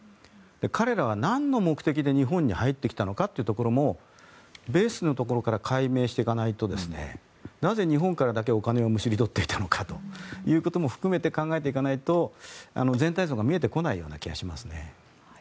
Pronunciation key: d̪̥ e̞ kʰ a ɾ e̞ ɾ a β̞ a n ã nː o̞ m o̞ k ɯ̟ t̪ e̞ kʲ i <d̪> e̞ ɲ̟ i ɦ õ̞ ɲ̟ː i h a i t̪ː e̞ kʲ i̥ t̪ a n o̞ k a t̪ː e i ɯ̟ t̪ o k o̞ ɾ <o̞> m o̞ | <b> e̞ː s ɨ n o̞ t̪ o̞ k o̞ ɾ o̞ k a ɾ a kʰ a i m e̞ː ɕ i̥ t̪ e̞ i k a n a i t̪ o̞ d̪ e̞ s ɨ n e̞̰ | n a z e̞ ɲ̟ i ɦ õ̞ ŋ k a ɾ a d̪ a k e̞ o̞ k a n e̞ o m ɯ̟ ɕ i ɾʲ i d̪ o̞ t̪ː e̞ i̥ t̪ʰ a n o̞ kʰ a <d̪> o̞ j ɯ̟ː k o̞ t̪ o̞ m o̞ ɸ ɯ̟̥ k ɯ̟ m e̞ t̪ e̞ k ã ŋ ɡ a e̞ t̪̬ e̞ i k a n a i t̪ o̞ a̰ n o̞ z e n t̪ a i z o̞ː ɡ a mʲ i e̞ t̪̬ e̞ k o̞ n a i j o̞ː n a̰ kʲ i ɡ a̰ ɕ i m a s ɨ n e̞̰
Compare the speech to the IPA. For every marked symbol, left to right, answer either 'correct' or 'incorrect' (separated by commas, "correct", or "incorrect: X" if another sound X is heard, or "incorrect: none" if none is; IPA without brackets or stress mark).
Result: correct, correct, correct, incorrect: t̪